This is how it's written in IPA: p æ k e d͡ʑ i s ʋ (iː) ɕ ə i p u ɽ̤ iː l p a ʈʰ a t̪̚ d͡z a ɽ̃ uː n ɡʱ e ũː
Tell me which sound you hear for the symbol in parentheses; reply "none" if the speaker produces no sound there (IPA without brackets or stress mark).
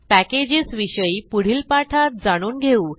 i